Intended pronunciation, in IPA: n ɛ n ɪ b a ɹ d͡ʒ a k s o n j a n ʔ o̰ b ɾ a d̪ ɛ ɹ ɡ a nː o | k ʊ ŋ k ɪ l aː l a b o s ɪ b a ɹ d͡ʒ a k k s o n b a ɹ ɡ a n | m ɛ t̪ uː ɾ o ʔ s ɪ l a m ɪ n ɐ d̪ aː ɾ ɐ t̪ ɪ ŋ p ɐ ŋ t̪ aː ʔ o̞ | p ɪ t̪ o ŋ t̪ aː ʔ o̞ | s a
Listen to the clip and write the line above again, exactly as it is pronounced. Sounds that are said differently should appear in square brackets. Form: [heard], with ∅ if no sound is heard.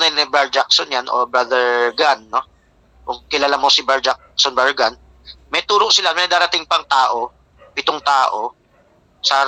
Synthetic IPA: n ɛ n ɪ b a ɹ d͡ʒ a k s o n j a n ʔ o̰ b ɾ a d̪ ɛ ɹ ɡ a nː o | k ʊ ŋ k ɪ l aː l a [m] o s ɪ b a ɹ d͡ʒ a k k s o n b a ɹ ɡ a n | m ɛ t̪ uː ɾ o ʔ s ɪ l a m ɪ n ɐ d̪ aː ɾ ɐ t̪ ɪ ŋ p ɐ ŋ t̪ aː ʔ o̞ | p ɪ t̪ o ŋ t̪ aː ʔ o̞ | s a